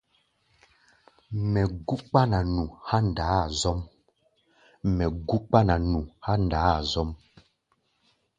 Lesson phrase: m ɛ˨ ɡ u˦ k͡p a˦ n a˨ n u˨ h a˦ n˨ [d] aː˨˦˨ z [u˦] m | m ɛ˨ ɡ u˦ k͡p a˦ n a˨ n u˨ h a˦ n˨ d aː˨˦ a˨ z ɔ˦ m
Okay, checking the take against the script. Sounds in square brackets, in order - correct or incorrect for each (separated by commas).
correct, incorrect